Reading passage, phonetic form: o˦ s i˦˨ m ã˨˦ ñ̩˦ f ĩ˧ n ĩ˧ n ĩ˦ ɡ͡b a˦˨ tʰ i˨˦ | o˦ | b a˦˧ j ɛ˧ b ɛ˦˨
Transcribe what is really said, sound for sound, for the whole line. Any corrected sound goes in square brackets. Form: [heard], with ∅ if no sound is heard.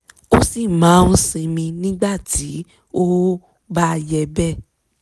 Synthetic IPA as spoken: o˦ s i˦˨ m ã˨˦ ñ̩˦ [s] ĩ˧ [m] ĩ˧ n ĩ˦ ɡ͡b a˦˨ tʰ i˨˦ | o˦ | b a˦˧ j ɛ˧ b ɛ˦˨